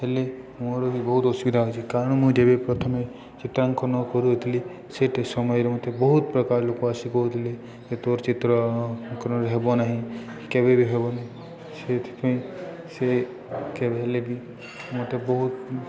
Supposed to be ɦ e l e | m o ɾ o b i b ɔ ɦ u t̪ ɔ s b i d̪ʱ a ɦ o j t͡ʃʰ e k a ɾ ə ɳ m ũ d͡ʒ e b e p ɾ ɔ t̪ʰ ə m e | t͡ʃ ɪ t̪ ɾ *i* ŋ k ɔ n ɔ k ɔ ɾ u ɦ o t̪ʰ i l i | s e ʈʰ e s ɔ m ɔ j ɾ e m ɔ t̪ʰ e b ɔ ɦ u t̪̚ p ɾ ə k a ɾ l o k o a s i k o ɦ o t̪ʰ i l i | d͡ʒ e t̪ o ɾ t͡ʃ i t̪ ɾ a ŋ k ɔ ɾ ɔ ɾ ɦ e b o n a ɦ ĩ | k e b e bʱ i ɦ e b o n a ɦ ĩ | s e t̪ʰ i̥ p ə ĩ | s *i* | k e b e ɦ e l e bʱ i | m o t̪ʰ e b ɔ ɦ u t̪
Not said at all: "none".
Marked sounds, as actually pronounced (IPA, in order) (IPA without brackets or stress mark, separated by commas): a, e